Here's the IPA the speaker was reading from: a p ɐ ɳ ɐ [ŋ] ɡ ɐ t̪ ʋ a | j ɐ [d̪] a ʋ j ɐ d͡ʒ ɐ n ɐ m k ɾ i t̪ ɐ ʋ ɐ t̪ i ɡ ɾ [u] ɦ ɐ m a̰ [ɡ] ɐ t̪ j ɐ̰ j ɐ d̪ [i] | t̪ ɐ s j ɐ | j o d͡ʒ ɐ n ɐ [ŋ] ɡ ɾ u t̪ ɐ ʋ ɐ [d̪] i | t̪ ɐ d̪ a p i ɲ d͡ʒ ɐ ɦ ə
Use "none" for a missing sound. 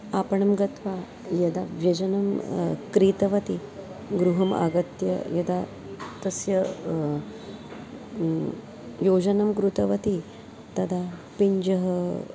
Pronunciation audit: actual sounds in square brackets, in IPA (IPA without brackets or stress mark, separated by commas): m, d̪, u, ɡ, a, m, t̪